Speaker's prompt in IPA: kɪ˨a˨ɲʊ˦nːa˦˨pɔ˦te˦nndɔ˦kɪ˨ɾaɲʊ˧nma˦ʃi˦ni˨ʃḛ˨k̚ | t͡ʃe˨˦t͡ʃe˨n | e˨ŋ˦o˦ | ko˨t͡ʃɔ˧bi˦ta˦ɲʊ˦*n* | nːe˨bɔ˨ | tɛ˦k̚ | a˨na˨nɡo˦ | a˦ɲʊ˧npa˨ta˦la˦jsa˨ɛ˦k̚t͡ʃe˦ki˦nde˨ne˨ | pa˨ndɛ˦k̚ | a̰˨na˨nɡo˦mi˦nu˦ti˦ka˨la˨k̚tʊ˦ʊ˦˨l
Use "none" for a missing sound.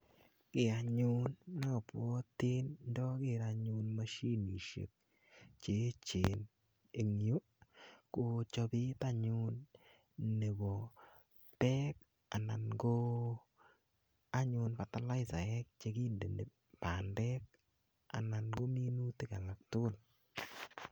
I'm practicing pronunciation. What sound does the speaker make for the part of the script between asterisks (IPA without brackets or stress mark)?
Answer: n